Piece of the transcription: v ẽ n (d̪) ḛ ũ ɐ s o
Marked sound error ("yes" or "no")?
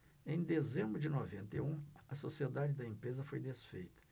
yes